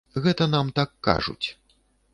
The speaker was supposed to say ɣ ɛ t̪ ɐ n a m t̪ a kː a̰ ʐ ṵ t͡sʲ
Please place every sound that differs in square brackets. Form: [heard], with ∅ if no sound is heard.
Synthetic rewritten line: ɣ ɛ t̪ ɐ n a m t̪ a kː a̰ ʐ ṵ t͡sʲ